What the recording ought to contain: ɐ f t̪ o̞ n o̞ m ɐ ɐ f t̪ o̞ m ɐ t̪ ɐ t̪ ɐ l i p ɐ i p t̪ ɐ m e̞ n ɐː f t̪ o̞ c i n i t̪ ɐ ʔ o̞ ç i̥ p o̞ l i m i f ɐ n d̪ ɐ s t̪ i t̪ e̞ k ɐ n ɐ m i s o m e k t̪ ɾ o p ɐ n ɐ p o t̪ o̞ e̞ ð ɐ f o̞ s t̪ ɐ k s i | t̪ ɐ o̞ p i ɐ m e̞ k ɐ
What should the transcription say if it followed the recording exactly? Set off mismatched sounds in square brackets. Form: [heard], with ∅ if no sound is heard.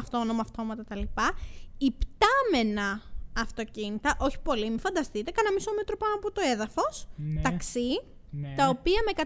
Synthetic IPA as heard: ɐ f t̪ o̞ n o̞ m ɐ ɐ f t̪ o̞ m ɐ t̪ ɐ t̪ ɐ l i p ɐ i p t̪ ɐ m e̞ n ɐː f t̪ o̞ c i n i t̪ ɐ ʔ o̞ ç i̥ p o̞ l i m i f ɐ n d̪ ɐ s t̪ i t̪ e̞ k ɐ n ɐ m i s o m e [∅] t̪ ɾ o p ɐ n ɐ p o t̪ o̞ e̞ ð ɐ f o̞ s t̪ ɐ k s i | t̪ ɐ o̞ p i ɐ m e̞ k ɐ